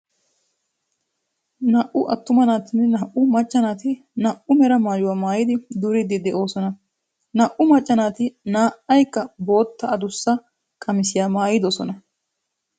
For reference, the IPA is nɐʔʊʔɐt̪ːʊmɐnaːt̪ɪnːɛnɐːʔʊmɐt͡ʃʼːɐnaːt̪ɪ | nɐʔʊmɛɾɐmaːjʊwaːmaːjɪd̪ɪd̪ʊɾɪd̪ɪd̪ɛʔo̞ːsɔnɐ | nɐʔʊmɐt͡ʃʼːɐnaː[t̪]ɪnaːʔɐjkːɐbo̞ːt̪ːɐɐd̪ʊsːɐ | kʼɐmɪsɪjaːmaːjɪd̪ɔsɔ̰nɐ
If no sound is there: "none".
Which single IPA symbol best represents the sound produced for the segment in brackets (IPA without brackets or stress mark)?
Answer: t̪